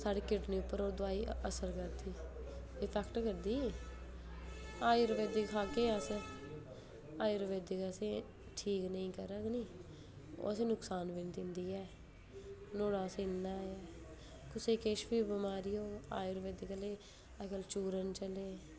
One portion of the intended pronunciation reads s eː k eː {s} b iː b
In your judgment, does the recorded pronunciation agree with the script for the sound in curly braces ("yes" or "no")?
no